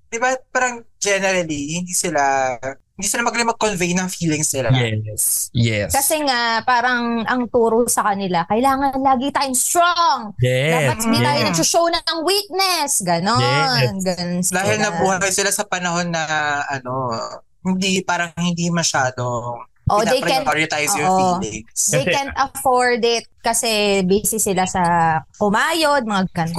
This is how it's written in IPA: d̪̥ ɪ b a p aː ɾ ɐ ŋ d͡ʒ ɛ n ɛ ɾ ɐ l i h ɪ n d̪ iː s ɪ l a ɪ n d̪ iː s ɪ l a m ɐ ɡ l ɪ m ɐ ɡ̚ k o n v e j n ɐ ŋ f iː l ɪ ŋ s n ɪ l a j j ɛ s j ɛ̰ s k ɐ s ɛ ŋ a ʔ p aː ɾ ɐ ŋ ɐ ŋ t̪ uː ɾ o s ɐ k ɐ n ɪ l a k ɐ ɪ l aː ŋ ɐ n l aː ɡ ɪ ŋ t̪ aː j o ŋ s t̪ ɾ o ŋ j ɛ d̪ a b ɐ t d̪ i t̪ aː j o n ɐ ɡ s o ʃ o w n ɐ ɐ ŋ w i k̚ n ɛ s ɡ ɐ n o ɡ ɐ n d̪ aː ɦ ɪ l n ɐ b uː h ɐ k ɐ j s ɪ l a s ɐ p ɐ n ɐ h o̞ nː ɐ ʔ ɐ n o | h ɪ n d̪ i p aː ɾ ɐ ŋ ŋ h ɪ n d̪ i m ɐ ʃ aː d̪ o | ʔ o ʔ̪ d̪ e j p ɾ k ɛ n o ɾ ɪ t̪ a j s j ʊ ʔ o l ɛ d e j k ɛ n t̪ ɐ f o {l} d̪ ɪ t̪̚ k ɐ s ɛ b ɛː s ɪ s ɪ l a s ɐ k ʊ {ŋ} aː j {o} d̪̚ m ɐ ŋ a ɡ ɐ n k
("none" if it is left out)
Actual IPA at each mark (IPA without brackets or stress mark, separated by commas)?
ɹ, m, o